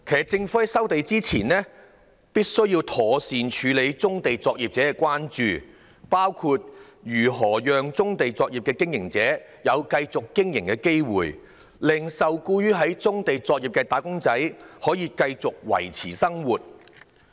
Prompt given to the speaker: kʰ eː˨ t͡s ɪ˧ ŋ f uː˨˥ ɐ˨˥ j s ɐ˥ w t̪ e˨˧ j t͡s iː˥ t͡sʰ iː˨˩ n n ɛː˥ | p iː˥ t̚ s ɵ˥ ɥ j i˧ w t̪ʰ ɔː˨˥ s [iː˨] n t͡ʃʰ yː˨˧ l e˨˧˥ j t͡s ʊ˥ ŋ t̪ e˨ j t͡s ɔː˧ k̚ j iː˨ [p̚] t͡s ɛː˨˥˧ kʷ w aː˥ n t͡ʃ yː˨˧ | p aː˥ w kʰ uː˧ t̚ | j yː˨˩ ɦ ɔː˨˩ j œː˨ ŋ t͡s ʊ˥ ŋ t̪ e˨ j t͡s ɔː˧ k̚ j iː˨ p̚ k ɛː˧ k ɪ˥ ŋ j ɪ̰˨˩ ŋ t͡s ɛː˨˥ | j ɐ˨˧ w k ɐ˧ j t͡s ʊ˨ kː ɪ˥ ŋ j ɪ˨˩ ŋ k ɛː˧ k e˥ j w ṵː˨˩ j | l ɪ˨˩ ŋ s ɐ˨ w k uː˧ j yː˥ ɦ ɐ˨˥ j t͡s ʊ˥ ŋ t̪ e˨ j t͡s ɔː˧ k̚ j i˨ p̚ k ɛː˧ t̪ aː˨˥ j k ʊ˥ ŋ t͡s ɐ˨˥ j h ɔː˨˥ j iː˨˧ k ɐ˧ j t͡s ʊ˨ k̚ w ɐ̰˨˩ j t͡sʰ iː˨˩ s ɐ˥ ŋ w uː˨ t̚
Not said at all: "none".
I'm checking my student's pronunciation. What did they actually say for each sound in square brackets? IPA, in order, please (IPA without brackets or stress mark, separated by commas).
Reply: iː˨, p̚